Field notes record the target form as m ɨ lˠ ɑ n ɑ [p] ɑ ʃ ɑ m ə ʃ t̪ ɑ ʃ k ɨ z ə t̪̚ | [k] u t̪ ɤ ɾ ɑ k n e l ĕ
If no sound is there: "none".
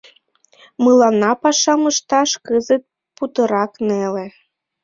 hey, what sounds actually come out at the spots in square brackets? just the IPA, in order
p, p

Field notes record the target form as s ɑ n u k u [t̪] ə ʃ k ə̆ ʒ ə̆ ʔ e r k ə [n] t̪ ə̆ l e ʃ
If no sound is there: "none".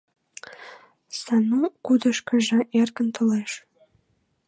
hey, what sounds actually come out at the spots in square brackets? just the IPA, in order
d̪, n

